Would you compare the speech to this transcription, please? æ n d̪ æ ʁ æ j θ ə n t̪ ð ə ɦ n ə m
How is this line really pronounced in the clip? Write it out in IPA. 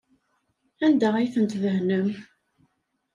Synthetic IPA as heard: æ n d̪ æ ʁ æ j θ ə n t̪ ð ə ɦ n ə m

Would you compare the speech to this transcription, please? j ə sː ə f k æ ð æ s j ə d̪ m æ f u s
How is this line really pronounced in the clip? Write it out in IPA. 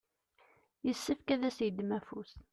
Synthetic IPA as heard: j ə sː ə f k æ ð æ s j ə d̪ m æ f u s

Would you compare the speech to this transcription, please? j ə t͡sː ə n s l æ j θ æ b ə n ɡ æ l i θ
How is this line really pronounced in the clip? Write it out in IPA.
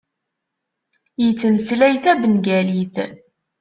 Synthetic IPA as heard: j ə t͡sː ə n s l æ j θ æ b ə n ɡ æ l i θ

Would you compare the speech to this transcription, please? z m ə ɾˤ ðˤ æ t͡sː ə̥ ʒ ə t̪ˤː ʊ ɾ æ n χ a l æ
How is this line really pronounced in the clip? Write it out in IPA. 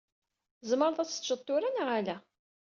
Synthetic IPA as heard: z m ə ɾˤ ðˤ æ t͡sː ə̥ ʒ ə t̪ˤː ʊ ɾ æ n ʁ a l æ

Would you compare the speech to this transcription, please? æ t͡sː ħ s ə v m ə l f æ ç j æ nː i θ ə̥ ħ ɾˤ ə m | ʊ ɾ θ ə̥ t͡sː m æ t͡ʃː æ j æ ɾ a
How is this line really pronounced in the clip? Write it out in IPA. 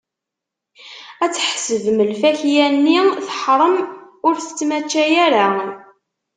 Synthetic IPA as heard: æ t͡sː ħ s ə v m ə l f æ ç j æ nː i θ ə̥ ħ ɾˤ ə m | ʊ ɾ θ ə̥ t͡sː m æ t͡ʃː æ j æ ɾ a

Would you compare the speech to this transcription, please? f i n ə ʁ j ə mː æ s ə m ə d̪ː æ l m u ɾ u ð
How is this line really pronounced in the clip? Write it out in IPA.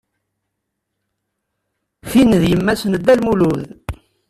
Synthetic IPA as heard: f i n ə ð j ə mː æ s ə n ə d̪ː æ l m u l u ð

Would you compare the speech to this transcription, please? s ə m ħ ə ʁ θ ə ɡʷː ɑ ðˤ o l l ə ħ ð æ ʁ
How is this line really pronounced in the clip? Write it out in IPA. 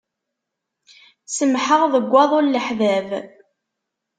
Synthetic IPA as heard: s ə m ħ ə ʁ ð ə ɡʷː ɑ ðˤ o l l ə ħ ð æ v

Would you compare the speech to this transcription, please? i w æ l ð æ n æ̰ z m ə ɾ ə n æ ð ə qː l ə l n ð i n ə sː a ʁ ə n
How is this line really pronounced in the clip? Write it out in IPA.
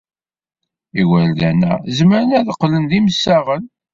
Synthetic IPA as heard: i w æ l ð æ n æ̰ z m ə ɾ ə n æ ð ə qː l ə n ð i m ə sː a ʁ ə n

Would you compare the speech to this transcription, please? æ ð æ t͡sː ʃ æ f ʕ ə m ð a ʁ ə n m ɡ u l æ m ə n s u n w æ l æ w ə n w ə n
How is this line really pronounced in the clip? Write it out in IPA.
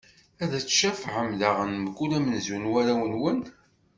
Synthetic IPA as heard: æ ð æ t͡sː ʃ æ f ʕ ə m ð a ʁ ə n m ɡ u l æ m ə n z u n w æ ɾ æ w ə n w ə n

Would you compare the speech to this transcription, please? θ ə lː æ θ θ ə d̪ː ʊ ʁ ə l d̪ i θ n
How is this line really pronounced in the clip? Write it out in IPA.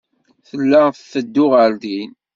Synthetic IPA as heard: θ ə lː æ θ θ ə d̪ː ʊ ʁ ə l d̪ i n

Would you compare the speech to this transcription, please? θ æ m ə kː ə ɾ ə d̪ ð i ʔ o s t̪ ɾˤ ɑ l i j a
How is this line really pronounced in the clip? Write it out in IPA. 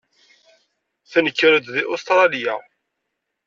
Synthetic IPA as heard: θ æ n ə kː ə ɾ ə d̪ ð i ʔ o s t̪ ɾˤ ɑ l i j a

